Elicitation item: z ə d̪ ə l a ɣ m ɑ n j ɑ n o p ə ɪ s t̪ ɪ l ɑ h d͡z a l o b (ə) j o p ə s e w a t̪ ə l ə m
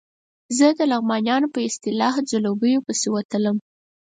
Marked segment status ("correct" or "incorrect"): correct